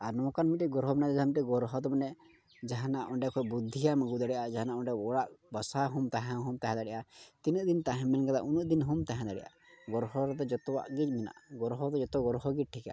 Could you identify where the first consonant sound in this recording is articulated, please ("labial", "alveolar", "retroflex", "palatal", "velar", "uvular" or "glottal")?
alveolar